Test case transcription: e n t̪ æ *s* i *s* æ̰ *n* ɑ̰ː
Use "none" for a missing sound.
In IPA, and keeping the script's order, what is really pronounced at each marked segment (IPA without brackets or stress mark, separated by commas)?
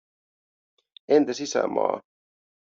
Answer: s, s, m